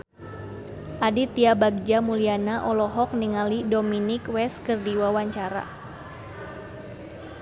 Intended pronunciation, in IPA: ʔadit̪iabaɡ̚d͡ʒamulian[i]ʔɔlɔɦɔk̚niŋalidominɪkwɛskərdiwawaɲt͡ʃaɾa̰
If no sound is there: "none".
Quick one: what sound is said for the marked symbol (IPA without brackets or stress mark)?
a